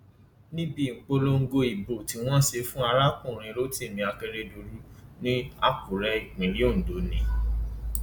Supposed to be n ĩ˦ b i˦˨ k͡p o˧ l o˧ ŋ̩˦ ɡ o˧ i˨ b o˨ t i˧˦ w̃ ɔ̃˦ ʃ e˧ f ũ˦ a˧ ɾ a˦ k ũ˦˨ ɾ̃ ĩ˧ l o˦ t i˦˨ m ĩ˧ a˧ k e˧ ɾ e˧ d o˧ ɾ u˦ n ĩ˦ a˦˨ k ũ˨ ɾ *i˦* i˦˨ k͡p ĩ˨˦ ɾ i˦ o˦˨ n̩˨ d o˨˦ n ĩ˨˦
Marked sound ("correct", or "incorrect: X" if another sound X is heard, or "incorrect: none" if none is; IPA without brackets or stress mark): incorrect: ɛ˦